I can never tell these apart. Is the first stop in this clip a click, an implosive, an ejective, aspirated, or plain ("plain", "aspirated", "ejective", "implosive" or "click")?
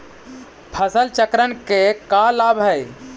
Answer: aspirated